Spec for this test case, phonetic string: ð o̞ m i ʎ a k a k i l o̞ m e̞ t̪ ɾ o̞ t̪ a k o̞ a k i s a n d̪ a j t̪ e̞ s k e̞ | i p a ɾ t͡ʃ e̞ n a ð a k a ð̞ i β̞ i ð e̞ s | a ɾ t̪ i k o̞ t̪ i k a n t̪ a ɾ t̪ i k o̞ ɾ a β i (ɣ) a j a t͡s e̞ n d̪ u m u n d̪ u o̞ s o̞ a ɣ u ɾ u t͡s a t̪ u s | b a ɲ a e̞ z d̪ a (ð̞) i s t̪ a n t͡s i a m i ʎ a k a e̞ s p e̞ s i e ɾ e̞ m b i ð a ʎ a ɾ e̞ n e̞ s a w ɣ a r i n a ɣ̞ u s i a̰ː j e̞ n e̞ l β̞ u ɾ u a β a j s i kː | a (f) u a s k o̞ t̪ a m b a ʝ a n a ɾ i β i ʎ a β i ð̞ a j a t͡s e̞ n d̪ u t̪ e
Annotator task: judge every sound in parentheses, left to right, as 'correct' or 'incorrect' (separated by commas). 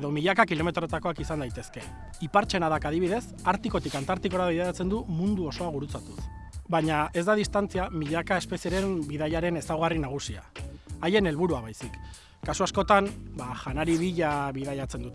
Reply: incorrect, correct, incorrect